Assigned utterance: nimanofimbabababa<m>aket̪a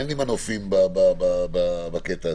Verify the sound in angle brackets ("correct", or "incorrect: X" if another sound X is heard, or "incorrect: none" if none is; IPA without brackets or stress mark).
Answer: incorrect: b